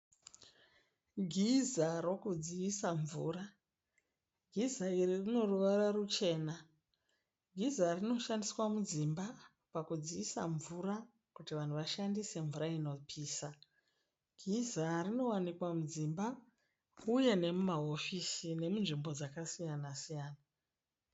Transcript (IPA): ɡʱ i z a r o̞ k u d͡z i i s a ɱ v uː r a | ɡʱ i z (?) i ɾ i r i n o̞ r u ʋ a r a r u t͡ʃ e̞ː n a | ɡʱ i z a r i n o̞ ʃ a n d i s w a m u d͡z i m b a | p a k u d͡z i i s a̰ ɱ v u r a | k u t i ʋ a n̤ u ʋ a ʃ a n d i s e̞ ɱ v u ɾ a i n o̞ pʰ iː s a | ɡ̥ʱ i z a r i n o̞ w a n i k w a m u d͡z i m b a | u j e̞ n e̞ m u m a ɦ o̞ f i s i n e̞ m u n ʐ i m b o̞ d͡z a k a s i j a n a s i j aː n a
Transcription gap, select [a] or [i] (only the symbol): a